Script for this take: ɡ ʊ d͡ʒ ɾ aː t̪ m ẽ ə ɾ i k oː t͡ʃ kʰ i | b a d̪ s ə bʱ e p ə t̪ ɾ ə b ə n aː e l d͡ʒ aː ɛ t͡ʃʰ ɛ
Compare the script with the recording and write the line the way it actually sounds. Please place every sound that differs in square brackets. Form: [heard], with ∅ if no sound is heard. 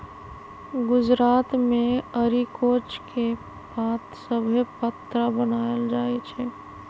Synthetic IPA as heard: ɡ ʊ d͡ʒ ɾ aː t̪ m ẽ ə ɾ i k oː t͡ʃ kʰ [e] | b a [t̪] s ə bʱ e p ə t̪ ɾ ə b ə n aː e l d͡ʒ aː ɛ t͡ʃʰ ɛ